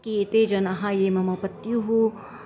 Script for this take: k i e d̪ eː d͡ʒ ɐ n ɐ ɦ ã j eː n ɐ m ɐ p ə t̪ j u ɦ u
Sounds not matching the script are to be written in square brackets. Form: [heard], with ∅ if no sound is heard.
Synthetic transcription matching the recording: k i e [t̪] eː d͡ʒ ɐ n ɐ ɦ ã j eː [m] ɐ m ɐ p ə t̪ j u ɦ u